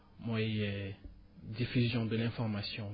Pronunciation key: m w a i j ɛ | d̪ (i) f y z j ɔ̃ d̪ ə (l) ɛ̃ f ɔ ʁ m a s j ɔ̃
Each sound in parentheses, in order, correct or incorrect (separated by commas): correct, correct